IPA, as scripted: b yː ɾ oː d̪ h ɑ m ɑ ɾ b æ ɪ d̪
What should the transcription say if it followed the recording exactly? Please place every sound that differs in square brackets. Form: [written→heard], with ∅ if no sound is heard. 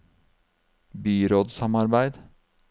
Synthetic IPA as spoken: b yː ɾ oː d̪ [h→s] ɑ m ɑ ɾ b æ ɪ d̪